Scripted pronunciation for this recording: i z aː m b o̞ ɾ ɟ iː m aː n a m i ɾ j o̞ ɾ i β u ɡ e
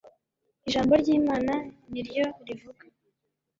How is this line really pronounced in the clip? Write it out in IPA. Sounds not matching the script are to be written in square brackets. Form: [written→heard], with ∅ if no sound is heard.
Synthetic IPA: i [z→ʒ] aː m b o̞ ɾ ɟ iː m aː n a [m→n] i ɾ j o̞ ɾ i [β→v] u ɡ [e→a]